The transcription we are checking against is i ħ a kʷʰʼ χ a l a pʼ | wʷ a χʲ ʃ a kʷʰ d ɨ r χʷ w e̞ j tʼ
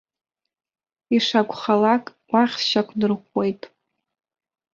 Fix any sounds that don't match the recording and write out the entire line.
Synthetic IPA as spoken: i ʂ a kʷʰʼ χ a l a kʼ | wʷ a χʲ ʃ a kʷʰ d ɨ r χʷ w e̞ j tʼ